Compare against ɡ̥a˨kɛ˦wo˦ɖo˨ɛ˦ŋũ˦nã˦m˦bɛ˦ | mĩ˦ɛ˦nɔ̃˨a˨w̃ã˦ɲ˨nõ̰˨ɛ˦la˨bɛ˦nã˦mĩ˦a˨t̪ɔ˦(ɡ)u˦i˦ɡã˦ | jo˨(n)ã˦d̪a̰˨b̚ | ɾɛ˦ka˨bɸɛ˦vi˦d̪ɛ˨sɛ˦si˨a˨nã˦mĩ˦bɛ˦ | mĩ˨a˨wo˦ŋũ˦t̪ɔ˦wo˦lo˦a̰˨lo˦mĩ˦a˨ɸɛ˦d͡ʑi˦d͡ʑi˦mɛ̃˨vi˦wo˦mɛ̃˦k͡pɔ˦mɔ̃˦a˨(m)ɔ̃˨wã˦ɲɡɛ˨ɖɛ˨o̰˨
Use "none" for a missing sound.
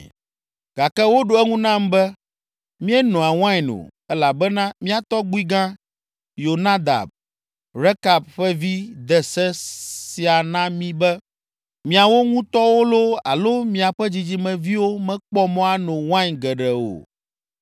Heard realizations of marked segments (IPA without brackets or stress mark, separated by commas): ɡ͡b, n, n